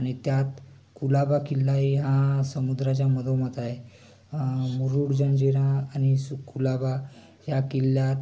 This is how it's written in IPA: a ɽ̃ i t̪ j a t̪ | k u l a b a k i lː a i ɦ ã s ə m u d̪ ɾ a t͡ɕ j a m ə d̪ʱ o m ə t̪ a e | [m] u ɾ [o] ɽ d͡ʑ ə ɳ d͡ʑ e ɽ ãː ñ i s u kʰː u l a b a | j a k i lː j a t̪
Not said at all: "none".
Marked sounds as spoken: m, u

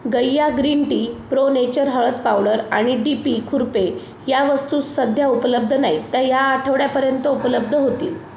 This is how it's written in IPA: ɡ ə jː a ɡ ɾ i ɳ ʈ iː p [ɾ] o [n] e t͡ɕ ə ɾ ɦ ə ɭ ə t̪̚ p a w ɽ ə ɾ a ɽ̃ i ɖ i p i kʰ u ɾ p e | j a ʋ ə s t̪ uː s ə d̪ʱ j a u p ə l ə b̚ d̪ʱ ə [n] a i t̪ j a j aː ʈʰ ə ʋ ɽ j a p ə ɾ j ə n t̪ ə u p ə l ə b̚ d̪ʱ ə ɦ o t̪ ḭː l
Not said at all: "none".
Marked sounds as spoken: ɾ, n, n

